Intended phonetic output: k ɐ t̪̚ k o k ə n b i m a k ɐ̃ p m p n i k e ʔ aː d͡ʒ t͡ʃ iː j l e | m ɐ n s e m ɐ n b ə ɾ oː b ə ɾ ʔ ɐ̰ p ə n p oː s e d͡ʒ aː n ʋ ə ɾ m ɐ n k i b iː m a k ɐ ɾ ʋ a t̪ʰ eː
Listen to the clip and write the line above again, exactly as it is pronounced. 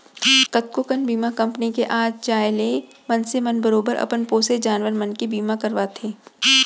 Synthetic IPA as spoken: k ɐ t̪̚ k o k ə n b iː m a k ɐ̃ m p n i k e ʔ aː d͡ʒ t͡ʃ aː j l e | m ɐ n s e m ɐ n b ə ɾ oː b ə ɾ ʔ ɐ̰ p ə n p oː s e d͡ʒ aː n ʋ ə ɾ m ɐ n k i b iː m a k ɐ ɾ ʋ a t̪ʰ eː